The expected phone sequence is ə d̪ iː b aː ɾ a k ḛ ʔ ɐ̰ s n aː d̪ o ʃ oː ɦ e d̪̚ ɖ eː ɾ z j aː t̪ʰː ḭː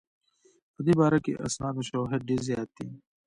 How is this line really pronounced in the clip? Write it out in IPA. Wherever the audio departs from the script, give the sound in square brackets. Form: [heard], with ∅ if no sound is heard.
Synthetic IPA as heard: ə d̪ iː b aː ɾ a k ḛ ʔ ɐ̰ s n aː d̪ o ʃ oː ɦ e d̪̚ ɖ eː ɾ z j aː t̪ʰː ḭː